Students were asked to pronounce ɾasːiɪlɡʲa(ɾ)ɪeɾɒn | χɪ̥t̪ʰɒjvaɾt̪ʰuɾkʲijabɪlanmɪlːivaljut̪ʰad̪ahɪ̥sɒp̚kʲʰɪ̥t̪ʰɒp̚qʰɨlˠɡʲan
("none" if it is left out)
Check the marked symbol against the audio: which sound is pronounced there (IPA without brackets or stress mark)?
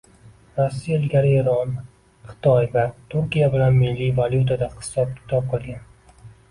ɾ